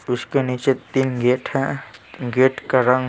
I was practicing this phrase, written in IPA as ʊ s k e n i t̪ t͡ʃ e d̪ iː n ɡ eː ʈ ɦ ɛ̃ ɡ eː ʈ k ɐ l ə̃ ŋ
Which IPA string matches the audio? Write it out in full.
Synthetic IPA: ʊ s k e n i t͡ʃ e t̪ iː n ɡ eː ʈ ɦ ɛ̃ ɡ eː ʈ k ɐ ɾ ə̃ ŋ